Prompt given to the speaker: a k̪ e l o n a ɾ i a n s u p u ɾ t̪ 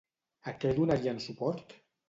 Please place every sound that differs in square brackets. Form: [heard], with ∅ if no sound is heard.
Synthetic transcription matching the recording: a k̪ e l [u] n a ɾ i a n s u p [ɔ] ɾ t̪